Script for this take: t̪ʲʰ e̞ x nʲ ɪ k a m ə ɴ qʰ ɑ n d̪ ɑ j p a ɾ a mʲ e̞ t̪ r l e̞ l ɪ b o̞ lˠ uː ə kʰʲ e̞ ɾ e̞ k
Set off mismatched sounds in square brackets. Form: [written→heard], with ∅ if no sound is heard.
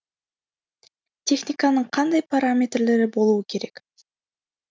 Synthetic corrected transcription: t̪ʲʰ e̞ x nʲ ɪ k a [m→n] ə ɴ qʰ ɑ n d̪ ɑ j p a ɾ a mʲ e̞ t̪ r l e̞ [l→ɾ] ɪ b o̞ lˠ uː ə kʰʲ e̞ ɾ e̞ k

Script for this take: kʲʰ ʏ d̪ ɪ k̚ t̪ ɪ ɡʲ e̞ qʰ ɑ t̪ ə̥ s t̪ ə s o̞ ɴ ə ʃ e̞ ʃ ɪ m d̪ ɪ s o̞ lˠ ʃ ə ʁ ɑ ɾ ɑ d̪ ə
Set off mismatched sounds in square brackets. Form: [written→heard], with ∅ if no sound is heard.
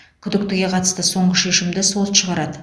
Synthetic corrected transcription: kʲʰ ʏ d̪ ɪ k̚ t̪ ɪ ɡʲ e̞ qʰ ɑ t̪ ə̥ s t̪ ə s o̞ ɴ ə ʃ e̞ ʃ ɪ m d̪ ɪ s o̞ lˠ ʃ ə ʁ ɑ ɾ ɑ d̪ ə

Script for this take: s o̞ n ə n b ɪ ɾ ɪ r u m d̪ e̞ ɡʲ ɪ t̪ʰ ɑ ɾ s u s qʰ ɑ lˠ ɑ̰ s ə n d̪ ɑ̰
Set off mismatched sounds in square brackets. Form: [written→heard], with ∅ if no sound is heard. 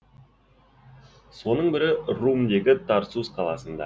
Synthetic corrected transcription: s o̞ n ə [n→ɴ] b ɪ ɾ ɪ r u m d̪ e̞ ɡʲ ɪ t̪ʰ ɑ ɾ s u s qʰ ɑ lˠ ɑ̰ s ə n d̪ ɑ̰

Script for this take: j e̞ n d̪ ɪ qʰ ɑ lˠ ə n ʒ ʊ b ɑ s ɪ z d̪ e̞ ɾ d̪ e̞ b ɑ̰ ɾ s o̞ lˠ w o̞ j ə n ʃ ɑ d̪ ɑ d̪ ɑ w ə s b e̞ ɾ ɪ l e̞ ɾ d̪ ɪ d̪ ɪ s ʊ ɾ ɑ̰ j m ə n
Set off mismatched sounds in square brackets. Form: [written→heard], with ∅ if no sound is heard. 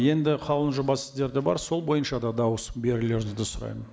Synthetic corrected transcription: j e̞ n d̪ ɪ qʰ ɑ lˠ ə n ʒ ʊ b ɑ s ɪ z d̪ e̞ ɾ d̪ e̞ b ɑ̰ ɾ s o̞ lˠ [w→b] o̞ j ə n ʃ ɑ d̪ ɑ d̪ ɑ w ə s b e̞ ɾ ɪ l e̞ ɾ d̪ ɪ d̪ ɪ s ʊ ɾ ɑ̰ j m ə n

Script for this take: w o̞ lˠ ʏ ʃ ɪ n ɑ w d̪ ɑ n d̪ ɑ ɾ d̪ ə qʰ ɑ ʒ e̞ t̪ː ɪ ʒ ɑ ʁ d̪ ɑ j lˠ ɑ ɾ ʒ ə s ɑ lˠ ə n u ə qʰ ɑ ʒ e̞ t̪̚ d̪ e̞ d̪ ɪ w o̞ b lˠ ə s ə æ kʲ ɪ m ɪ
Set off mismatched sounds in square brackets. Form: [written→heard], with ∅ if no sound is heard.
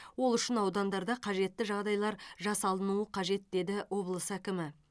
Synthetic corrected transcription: w o̞ lˠ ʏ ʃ ɪ n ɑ w d̪ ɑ n d̪ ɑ ɾ d̪ [ə→ɑ] qʰ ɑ ʒ e̞ t̪ː ɪ ʒ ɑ ʁ d̪ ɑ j lˠ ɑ ɾ ʒ [ə→ɑ] s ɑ lˠ ə n u ə qʰ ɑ ʒ e̞ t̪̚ d̪ e̞ d̪ ɪ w o̞ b lˠ ə s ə æ kʲ ɪ m ɪ

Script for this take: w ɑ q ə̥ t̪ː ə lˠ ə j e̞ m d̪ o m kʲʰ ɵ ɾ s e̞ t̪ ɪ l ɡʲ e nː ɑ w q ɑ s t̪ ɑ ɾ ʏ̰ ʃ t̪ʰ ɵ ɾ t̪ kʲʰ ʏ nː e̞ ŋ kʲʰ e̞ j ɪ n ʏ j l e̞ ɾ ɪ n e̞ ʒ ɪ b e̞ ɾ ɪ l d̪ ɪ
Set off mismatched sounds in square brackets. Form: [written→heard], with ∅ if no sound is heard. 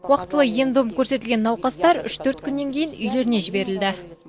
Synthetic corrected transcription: w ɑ q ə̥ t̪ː ə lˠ ə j e̞ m d̪ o m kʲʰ ɵ ɾ s e̞ t̪ ɪ l ɡʲ e nː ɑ w q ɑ s t̪ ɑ ɾ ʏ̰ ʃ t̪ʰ ɵ ɾ t̪ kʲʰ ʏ nː e̞ ŋ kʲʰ e̞ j ɪ n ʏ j l e̞ ɾ ɪ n e̞ ʒ ɪ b e̞ ɾ ɪ l d̪ ɪ

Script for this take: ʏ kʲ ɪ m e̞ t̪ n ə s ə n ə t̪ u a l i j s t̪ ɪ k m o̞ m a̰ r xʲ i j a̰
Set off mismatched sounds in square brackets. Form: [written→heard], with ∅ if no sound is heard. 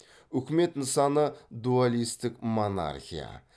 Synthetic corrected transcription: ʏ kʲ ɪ m e̞ t̪ n ə s [ə→ɑ] n ə [t̪→d̪] u a l i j s t̪ ɪ k m o̞ [m→n] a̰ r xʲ i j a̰

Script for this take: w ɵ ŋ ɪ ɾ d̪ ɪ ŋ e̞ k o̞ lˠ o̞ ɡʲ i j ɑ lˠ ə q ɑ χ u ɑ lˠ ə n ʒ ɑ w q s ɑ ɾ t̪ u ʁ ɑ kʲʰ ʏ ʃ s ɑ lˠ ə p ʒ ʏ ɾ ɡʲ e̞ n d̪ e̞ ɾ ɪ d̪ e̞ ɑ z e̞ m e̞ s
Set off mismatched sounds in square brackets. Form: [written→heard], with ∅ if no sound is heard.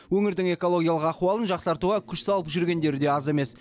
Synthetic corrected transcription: w ɵ ŋ ɪ ɾ d̪ ɪ ŋ e̞ k o̞ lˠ o̞ ɡʲ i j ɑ lˠ ə q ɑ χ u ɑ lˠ ə n ʒ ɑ [w→∅] q s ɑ ɾ t̪ u ʁ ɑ kʲʰ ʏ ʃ s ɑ lˠ ə p ʒ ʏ ɾ ɡʲ e̞ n d̪ e̞ ɾ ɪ d̪ e̞ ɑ z e̞ m e̞ s

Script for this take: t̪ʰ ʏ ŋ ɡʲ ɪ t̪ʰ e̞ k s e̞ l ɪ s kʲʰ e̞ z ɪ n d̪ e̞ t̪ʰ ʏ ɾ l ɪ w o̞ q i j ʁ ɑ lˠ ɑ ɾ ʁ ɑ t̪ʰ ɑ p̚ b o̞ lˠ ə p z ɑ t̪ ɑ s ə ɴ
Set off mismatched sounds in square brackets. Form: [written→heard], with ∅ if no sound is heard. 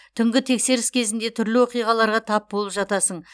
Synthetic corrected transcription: t̪ʰ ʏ ŋ ɡʲ ɪ t̪ʰ e̞ k s e̞ [l→ɾ] ɪ s kʲʰ e̞ z ɪ n d̪ e̞ t̪ʰ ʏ ɾ l ɪ w o̞ q i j ʁ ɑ lˠ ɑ ɾ ʁ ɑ t̪ʰ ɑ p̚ b o̞ lˠ ə p [z→ʒ] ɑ t̪ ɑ s ə ɴ

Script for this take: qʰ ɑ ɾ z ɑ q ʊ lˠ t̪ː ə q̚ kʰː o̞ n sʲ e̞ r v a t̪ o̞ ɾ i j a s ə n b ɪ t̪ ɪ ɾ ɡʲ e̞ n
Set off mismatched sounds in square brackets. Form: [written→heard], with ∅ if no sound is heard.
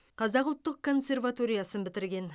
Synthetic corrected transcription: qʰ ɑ [ɾ→∅] z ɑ q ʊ lˠ t̪ː ə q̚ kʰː o̞ n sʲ e̞ r v a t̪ o̞ ɾ i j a s ə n b ɪ t̪ ɪ ɾ ɡʲ e̞ n

